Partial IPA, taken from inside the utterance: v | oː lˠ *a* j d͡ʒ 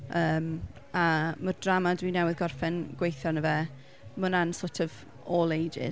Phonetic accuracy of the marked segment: incorrect: e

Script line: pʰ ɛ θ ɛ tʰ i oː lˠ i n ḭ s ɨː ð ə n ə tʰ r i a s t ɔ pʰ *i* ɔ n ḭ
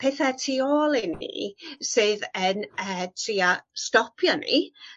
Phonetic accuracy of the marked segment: incorrect: j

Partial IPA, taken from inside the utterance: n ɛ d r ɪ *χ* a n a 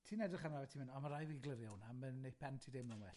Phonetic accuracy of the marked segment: correct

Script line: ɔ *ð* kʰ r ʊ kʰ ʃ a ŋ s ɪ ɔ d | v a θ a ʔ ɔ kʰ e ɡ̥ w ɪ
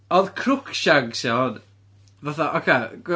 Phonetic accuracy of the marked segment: correct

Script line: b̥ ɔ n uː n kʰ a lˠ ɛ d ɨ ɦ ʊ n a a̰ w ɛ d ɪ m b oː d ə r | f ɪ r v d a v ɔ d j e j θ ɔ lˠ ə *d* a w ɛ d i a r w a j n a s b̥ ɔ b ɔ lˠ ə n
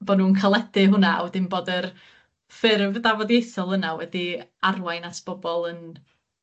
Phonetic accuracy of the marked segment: incorrect: n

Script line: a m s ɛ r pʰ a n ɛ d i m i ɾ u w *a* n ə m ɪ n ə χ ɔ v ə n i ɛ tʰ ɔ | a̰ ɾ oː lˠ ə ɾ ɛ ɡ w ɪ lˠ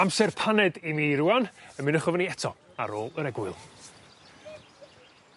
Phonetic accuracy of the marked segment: correct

